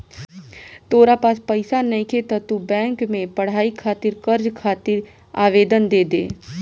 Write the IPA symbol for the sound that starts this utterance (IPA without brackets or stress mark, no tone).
t̪